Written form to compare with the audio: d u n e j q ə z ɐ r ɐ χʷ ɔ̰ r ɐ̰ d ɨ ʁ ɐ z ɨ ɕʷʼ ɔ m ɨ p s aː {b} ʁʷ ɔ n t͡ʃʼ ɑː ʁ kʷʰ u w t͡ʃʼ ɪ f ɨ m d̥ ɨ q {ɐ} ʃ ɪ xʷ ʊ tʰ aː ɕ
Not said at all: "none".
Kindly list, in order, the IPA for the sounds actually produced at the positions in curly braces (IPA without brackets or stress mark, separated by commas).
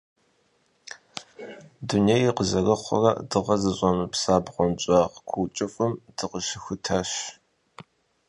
b, ə